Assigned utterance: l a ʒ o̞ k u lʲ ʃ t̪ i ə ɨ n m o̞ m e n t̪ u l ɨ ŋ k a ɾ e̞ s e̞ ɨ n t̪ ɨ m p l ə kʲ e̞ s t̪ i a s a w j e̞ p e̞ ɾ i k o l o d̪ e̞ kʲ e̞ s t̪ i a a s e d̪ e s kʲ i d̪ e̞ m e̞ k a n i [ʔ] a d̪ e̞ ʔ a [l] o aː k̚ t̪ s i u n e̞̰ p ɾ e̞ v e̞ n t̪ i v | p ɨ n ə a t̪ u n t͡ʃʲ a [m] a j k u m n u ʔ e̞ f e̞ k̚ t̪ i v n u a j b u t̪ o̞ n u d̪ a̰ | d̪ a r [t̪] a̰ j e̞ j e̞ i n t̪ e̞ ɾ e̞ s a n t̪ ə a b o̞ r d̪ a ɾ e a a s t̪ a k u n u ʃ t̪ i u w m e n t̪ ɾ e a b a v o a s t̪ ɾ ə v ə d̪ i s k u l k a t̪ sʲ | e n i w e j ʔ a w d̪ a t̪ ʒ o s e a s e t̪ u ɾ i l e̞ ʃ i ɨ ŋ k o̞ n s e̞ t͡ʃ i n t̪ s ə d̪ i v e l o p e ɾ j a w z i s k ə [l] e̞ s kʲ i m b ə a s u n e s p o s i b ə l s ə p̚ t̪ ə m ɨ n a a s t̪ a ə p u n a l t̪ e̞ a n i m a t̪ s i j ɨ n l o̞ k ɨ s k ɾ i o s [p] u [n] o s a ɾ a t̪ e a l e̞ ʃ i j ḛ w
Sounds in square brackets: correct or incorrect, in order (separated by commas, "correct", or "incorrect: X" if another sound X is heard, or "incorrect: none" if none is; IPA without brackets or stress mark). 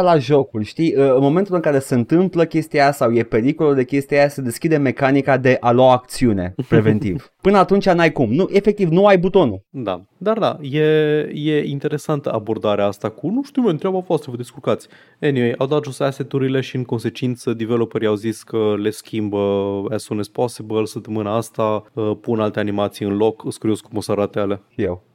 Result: incorrect: k, correct, incorrect: n, incorrect: d̪, correct, incorrect: k, incorrect: m